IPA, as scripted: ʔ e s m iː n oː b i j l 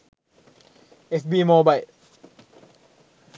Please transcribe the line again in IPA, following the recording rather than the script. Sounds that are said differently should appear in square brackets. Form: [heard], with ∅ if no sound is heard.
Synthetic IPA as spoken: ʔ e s [b] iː [m] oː b [a] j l

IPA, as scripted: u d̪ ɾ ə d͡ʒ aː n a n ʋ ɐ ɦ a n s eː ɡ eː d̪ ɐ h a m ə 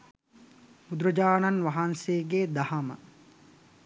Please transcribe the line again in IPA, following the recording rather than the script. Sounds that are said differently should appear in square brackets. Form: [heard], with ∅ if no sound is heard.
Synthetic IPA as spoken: u d̪ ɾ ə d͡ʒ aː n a n ʋ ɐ ɦ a n s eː ɡ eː d̪ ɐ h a m ə

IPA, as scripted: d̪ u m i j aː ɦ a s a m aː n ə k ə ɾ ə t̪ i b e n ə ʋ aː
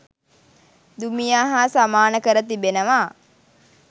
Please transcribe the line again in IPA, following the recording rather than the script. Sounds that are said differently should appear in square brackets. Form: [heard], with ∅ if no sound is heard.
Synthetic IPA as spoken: d̪ u m i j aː ɦ a s a m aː n ə k ə ɾ ə t̪ i b e n ə ʋ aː

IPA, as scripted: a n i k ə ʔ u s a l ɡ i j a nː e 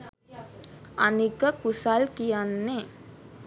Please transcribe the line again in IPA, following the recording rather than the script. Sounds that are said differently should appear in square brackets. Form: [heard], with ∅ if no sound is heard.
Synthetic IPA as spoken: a n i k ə [k] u s a l [k] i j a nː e

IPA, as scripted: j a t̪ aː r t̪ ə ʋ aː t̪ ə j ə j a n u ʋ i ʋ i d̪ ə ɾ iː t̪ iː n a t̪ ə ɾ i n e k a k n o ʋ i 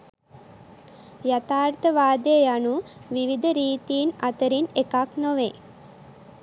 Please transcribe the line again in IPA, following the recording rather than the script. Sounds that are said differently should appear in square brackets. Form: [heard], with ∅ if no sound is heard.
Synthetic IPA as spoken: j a t̪ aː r t̪ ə ʋ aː [d̪] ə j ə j a n u ʋ i ʋ i d̪ ə ɾ iː t̪ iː n a t̪ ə ɾ i n e k a k n o ʋ [e]

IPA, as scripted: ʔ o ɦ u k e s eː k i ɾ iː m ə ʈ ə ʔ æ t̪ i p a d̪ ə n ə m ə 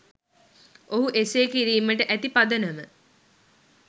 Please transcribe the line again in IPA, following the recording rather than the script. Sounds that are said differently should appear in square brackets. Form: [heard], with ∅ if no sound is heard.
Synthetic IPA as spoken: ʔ o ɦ u [ʔ] e s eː k i ɾ iː m ə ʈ ə ʔ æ t̪ i p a d̪ ə n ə m ə

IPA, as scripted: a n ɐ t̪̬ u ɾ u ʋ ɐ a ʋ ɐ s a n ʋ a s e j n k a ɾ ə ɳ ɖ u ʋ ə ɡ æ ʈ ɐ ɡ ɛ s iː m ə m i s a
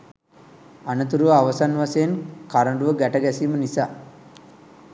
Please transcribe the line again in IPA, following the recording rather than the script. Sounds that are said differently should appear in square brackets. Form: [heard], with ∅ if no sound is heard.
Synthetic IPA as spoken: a n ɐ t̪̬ u ɾ u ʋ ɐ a ʋ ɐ s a n ʋ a s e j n k a ɾ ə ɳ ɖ u ʋ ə ɡ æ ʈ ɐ ɡ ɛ s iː m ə [n] i s a

